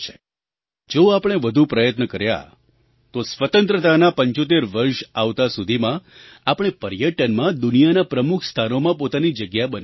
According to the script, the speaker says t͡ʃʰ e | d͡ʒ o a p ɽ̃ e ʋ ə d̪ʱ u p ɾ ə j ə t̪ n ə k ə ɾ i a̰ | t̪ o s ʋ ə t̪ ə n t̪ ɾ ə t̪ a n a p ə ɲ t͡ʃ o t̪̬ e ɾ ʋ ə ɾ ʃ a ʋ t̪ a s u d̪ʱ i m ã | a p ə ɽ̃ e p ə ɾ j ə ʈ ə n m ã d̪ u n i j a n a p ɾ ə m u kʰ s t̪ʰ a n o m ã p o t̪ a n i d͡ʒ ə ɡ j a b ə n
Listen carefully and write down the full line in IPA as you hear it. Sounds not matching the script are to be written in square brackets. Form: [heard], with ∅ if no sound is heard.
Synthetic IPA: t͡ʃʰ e | d͡ʒ o a p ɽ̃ e ʋ ə d̪ʱ u p ɾ ə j ə t̪ n ə k ə ɾ [j] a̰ | t̪ o s ʋ ə t̪ ə n t̪ ɾ ə t̪ a n a p ə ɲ t͡ʃ o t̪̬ e ɾ ʋ ə ɾ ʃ a ʋ t̪ a s u d̪ʱ i m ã | a p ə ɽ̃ e p ə ɾ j ə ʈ ə n m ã d̪ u n i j a n a p ɾ ə m u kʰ s t̪ʰ a n o m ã p o t̪ a n i d͡ʒ ə ɡ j a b ə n